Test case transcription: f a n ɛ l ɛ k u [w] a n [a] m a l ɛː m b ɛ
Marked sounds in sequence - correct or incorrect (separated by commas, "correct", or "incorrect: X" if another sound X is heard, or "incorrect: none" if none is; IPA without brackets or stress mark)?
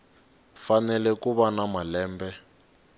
incorrect: β, correct